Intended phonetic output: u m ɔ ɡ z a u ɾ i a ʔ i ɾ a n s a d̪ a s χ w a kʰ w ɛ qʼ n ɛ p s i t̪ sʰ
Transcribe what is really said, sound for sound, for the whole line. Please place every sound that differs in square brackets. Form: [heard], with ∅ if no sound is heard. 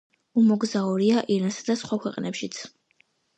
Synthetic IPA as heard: u m ɔ ɡ z a u ɾ i a ʔ i ɾ a n s a d̪ a s χ w a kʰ w ɛ qʼ n ɛ p [ʃ] i t̪ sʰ